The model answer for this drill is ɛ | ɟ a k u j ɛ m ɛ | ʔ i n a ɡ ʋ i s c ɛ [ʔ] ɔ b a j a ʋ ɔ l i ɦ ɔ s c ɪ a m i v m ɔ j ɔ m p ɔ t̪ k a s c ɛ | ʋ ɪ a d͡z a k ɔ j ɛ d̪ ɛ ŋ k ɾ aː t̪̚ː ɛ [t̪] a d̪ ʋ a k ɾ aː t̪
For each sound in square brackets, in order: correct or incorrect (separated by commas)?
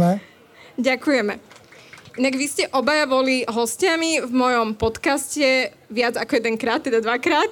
correct, incorrect